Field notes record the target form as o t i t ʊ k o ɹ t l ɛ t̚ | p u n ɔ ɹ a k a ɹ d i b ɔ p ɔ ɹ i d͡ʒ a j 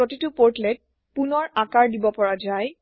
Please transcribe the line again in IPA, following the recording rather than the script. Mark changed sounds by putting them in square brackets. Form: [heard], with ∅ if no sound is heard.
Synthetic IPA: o t i t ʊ [p] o ɹ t l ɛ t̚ | p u n ɔ ɹ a k a ɹ d i b ɔ p ɔ ɹ [a] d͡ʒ a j